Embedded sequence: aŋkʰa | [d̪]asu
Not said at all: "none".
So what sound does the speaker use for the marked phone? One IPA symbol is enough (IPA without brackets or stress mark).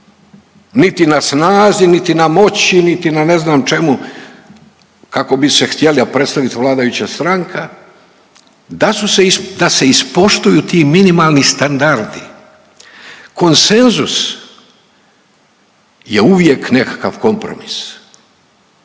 d̪